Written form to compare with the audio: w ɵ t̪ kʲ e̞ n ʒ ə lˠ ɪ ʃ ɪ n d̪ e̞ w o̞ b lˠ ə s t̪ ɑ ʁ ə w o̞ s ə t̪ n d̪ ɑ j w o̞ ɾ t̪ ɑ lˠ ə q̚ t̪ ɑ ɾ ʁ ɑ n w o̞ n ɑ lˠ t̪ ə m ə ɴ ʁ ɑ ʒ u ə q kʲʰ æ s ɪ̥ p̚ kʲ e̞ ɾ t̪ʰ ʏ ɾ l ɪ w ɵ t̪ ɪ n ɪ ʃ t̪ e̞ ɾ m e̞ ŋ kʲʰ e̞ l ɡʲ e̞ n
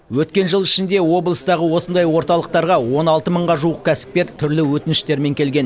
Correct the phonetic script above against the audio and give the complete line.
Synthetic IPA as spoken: w ɵ t̪ kʲ e̞ n ʒ ə lˠ ɪ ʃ ɪ n d̪ e̞ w o̞ b lˠ ə s t̪ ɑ ʁ ə w o̞ s ə n d̪ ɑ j w o̞ ɾ t̪ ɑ lˠ ə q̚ t̪ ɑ ɾ ʁ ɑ w o̞ n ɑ lˠ t̪ ə m ə ɴ ʁ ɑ ʒ u ə q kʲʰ æ s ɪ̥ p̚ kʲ e̞ ɾ t̪ʰ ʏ ɾ l ɪ w ɵ t̪ ɪ n ɪ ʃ t̪ e̞ ɾ m e̞ ŋ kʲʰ e̞ l ɡʲ e̞ n